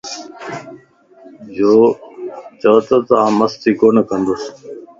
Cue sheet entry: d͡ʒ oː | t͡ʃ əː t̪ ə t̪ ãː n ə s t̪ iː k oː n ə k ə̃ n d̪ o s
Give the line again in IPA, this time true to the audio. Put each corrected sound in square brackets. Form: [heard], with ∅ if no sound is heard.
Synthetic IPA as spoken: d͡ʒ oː | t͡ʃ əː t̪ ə t̪ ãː [m] ə s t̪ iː k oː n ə k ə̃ n d̪ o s